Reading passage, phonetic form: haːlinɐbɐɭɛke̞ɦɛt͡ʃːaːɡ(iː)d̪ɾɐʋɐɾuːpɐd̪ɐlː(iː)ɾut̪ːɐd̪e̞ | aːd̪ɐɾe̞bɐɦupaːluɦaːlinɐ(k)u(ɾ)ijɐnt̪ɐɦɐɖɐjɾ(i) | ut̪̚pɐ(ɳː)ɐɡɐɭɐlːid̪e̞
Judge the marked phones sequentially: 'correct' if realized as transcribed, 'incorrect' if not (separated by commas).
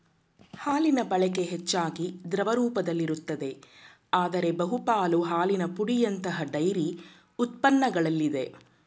incorrect, incorrect, incorrect, incorrect, correct, incorrect